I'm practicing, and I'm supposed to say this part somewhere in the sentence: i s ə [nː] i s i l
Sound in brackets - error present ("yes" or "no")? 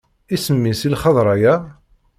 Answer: yes